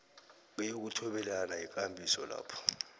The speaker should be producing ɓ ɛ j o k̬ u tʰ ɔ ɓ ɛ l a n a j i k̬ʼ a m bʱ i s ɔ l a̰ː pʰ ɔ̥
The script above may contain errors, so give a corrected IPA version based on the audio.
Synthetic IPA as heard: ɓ ɛ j o k̬ u tʰ ɔ ɓ ɛ l a n a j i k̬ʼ a m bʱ i s ɔ l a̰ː pʰ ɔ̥